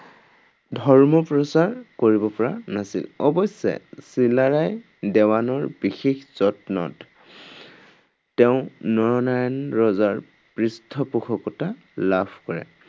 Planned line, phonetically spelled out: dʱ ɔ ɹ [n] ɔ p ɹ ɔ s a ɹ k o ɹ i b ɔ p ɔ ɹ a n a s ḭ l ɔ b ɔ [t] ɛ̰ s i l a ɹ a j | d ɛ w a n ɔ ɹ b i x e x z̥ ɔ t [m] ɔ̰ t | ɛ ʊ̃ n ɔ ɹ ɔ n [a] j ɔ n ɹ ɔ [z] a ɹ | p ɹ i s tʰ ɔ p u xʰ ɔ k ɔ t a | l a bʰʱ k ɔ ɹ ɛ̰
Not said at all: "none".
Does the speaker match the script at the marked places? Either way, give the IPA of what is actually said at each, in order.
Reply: m, s, n, a, z

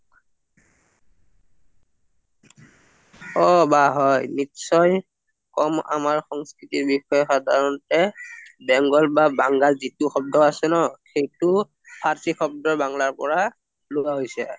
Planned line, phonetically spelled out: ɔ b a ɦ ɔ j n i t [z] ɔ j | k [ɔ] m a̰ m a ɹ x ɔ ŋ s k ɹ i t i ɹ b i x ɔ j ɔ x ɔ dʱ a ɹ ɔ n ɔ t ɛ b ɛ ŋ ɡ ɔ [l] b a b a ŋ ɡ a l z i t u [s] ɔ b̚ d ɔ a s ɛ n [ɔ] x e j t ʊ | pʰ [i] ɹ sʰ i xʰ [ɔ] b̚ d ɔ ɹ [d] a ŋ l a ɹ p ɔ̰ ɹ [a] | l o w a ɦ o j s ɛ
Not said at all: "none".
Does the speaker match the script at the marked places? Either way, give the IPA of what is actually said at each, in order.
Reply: s, ɔ, l, x, ɔ, a, ɔ, b, a

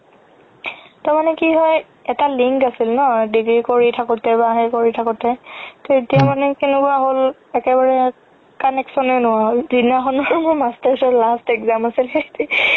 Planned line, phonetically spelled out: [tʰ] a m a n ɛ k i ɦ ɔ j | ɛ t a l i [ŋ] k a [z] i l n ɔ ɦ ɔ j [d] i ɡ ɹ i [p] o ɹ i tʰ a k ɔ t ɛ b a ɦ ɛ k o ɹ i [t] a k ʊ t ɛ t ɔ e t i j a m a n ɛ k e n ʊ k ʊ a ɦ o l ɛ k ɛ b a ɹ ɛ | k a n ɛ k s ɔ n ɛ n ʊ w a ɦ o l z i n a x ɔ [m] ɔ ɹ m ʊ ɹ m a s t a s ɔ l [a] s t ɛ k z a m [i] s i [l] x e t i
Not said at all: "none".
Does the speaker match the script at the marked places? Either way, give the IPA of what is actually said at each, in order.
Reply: t, ŋ, s, d, k, tʰ, n, a, a, l

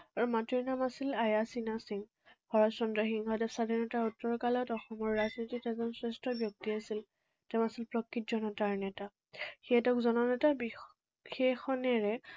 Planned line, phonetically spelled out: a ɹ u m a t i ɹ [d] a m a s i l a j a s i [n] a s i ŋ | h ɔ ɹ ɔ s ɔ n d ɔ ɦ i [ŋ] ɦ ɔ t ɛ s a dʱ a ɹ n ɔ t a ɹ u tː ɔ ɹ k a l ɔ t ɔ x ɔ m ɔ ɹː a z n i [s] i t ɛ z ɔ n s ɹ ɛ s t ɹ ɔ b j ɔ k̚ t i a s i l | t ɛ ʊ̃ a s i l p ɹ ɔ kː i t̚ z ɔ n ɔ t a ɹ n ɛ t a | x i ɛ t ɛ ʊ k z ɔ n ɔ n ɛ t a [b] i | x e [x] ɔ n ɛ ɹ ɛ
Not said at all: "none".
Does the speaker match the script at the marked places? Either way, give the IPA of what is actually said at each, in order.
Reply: n, n, ŋ, t, b, x

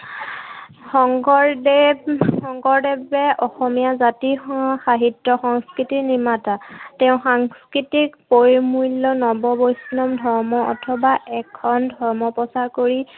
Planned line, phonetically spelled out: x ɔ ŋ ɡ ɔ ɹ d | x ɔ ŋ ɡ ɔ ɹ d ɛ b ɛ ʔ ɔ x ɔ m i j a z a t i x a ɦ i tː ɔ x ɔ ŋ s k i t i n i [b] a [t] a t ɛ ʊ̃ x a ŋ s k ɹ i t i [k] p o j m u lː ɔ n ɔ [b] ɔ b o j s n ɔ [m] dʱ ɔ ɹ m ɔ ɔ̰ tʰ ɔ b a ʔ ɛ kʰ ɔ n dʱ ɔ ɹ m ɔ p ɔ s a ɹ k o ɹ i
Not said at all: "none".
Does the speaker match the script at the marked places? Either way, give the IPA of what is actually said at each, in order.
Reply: m, t, k, b, m

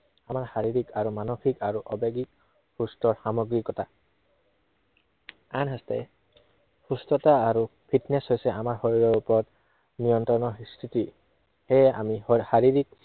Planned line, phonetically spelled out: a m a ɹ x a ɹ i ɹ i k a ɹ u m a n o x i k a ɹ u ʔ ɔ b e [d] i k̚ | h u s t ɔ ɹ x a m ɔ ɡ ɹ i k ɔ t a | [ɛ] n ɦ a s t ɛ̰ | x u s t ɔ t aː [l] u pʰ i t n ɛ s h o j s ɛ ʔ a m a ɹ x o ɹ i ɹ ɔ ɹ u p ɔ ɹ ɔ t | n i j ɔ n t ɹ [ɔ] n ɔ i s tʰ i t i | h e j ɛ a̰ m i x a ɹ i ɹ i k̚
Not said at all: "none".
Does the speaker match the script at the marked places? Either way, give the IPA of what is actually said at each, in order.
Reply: ɡ, a, ɹ, ɔ

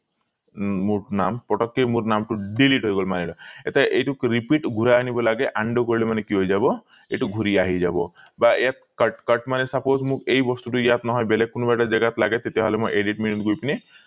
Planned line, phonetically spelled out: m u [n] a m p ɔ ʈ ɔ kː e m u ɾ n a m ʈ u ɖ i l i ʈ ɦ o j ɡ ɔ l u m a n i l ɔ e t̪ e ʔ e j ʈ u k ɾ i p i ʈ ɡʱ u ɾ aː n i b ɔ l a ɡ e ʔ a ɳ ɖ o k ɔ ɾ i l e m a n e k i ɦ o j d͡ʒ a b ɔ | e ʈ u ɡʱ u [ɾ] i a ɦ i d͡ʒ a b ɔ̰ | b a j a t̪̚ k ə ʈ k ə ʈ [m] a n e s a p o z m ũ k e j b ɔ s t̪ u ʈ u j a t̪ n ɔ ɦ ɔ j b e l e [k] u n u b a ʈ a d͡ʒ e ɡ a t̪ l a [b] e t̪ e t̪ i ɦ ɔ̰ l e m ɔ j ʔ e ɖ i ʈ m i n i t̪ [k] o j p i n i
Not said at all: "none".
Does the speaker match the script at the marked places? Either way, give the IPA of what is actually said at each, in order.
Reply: n, ɾ, m, k, ɡ, ɡ

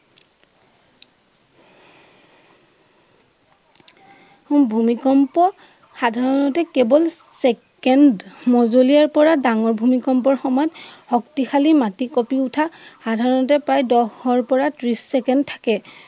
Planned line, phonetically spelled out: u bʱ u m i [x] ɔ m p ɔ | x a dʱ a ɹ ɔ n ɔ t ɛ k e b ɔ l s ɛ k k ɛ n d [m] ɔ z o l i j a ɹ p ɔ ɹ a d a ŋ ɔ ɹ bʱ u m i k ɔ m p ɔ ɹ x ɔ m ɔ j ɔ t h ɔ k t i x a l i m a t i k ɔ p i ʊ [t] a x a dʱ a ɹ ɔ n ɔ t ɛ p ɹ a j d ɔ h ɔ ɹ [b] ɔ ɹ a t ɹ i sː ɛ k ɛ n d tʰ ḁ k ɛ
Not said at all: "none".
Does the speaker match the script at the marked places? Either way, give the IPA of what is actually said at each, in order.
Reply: k, m, tʰ, p

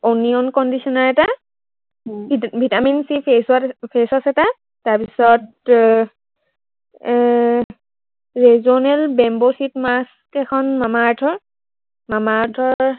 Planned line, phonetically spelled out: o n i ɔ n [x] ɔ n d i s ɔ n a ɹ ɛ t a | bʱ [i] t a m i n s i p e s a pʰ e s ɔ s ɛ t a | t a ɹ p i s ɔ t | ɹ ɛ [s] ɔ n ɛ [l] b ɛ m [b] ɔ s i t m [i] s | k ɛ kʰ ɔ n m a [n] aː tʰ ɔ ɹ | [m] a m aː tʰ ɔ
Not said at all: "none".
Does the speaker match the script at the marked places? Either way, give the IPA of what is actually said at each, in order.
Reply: k, i, z, l, b, a, m, m

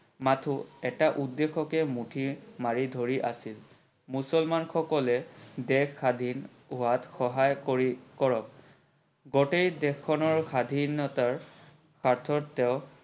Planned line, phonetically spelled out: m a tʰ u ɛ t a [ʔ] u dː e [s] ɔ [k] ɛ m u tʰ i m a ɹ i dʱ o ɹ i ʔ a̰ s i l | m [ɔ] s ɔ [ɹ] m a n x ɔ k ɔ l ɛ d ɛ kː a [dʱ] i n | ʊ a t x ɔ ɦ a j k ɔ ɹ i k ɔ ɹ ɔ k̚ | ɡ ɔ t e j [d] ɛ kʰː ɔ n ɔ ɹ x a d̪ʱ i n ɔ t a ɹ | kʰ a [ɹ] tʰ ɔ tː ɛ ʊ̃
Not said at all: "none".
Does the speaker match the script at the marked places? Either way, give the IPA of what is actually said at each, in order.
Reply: ʔ, x, k, u, l, dʱ, d, ɹ

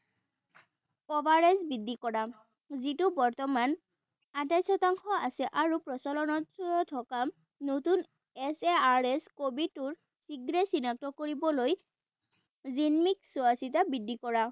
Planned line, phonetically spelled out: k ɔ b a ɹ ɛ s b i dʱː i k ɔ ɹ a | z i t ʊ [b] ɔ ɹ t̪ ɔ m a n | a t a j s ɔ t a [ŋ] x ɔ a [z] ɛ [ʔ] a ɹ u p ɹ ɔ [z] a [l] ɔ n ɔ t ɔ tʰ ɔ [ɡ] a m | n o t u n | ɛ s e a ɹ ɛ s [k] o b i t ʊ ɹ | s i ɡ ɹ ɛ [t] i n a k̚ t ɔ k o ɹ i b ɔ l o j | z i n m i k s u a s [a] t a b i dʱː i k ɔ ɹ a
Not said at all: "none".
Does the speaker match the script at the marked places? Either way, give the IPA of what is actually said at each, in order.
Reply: b, ŋ, s, ʔ, s, l, k, k, s, i

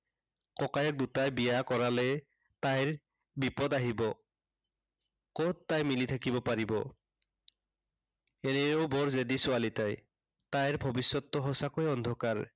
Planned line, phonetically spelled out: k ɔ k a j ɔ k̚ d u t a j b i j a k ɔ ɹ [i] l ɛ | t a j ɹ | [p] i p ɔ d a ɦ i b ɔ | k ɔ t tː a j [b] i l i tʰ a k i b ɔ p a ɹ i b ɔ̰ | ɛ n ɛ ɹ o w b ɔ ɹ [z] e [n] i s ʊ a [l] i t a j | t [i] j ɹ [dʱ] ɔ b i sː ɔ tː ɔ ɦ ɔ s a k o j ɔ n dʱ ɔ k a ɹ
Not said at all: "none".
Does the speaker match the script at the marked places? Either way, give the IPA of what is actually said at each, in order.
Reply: a, b, m, z, d, l, a, bʱ

